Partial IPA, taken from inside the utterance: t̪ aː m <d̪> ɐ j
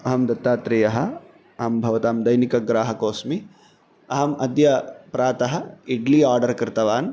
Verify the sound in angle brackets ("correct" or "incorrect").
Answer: correct